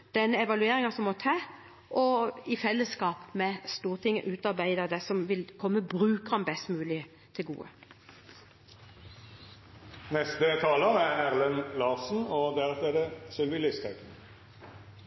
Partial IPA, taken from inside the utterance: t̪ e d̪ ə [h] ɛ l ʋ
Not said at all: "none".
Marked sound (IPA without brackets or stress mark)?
s